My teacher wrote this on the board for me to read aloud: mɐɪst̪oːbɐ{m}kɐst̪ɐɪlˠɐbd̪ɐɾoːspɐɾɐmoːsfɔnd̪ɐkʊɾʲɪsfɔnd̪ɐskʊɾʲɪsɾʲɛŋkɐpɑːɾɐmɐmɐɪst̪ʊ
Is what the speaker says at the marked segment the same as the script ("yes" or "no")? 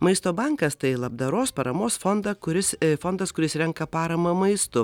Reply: no